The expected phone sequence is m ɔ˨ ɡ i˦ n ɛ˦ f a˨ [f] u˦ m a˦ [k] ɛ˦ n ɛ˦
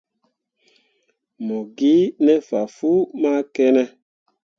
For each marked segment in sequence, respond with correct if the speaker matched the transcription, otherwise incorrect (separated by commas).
correct, correct